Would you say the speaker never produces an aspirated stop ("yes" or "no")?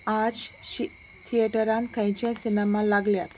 no